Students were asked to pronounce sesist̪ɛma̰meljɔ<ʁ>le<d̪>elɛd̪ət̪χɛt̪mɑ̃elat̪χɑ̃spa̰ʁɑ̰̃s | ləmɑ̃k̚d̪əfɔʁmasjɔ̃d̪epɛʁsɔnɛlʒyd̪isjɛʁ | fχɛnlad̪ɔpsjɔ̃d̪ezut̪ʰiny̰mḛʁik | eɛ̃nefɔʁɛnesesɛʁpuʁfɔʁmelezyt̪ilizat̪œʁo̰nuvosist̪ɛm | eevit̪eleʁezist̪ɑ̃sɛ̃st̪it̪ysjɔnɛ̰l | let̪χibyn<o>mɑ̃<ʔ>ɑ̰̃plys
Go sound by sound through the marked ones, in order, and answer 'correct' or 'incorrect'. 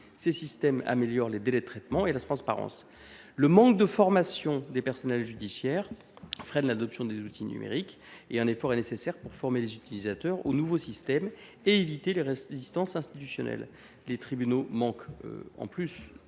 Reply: correct, correct, correct, incorrect: k

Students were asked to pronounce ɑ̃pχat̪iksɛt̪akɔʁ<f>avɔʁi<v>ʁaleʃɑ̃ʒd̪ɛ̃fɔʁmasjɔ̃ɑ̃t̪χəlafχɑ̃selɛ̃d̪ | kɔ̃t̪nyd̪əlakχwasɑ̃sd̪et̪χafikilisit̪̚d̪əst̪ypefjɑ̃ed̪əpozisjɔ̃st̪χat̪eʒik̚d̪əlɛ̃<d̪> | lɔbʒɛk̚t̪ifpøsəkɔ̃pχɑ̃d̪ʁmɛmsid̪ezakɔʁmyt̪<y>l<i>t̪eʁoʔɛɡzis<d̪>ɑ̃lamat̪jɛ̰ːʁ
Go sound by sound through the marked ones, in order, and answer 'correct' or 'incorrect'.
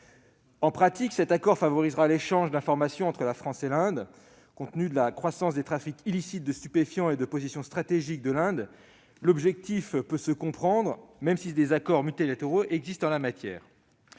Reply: correct, incorrect: z, correct, incorrect: i, incorrect: a, incorrect: t̪

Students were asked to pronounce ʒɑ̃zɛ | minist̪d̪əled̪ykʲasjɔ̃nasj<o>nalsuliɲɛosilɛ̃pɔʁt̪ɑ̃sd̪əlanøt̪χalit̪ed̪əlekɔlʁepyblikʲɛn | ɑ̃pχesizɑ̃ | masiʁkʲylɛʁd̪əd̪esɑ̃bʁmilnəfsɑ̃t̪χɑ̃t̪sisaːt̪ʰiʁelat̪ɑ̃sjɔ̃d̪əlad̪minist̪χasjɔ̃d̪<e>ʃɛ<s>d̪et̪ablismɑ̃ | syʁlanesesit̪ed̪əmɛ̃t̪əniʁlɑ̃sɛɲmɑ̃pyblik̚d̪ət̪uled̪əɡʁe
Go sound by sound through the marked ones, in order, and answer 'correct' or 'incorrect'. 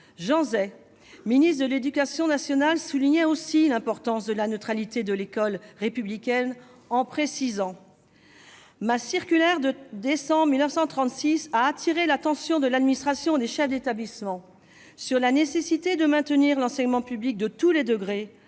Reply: incorrect: ɔ, correct, incorrect: f

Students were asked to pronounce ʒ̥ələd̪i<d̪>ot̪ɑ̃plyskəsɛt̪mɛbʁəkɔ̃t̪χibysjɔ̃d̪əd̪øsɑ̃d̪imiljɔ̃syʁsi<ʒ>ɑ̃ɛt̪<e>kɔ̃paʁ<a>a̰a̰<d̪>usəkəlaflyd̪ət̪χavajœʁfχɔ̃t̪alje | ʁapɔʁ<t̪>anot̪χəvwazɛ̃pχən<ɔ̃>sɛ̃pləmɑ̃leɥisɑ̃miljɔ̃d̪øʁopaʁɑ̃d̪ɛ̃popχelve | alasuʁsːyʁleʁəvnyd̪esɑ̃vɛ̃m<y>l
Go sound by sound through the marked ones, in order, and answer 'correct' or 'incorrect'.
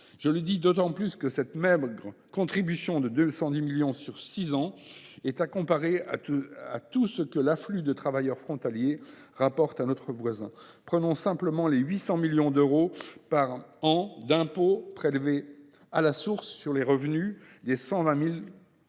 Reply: correct, incorrect: z, incorrect: a, incorrect: e, incorrect: t̪, correct, correct, incorrect: i

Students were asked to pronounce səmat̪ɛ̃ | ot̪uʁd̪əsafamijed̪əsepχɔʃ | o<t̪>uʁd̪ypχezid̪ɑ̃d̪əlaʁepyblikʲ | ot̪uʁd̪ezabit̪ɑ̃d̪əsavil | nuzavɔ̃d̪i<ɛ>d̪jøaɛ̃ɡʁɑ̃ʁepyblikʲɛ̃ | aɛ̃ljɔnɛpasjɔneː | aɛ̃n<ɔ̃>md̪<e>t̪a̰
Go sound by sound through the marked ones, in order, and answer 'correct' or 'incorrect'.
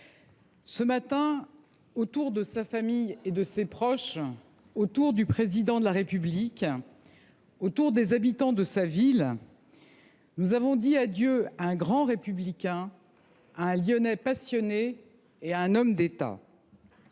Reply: correct, incorrect: a, incorrect: ɔ, correct

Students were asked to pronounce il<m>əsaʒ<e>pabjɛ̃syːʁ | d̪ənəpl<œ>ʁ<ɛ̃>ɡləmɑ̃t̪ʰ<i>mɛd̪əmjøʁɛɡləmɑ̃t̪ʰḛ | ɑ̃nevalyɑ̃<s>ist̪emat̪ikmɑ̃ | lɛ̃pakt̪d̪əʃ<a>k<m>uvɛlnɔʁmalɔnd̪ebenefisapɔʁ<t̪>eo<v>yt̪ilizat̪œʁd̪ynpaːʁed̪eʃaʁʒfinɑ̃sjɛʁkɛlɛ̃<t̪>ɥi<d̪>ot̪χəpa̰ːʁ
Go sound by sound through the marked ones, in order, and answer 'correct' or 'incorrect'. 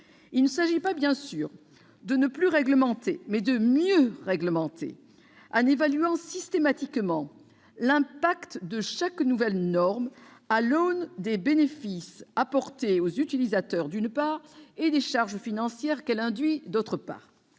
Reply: incorrect: n, incorrect: i, incorrect: y, incorrect: ɛ, incorrect: e, correct, correct, incorrect: n, correct, incorrect: z, incorrect: d̪, correct

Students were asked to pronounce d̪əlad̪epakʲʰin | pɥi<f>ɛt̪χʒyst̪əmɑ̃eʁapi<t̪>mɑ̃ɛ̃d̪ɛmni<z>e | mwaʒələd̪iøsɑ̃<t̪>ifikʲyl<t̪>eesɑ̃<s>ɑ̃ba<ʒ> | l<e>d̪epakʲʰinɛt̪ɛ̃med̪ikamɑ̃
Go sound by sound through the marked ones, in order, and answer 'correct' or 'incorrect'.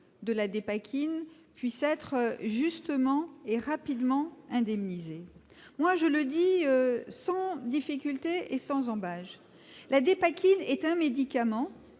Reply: incorrect: s, incorrect: d̪, correct, incorrect: d̪, correct, incorrect: z, correct, incorrect: a

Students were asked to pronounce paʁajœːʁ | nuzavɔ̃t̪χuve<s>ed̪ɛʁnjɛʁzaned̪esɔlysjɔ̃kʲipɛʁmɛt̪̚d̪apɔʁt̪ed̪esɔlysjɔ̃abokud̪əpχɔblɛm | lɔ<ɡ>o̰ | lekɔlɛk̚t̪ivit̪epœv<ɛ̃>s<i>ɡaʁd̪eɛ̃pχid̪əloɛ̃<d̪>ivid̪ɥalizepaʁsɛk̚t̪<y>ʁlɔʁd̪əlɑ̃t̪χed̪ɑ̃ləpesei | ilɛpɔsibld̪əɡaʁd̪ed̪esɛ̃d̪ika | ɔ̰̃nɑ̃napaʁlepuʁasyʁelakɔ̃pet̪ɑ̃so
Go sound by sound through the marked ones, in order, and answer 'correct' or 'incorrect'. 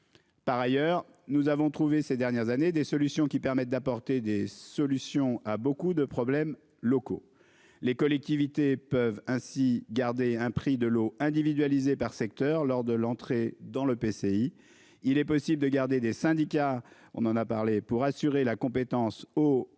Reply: correct, incorrect: k, correct, correct, correct, incorrect: œ

